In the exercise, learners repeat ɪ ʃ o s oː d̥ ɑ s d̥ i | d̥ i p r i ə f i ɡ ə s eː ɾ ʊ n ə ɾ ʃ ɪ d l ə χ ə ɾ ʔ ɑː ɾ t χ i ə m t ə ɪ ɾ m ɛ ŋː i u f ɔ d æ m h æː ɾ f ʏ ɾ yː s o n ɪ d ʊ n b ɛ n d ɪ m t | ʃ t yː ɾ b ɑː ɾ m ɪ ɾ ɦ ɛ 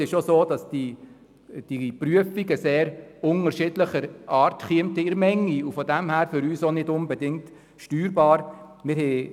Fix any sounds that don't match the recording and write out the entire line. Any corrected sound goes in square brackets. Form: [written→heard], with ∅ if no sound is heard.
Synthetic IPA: ɪ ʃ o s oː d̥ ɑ s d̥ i | d̥ i p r [i→y] ə f i ɡ ə s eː ɾ ʊ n ə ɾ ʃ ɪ d l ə χ ə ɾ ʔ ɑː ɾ t χ i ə m t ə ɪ ɾ m ɛ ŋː i u f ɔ d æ m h æː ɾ f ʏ ɾ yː s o n ɪ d ʊ n b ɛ [n→∅] d ɪ [m→ŋ] t | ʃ t yː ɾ b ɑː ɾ m ɪ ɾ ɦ ɛ